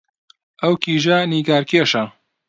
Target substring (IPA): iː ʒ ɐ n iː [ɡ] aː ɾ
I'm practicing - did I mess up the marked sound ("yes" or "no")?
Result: no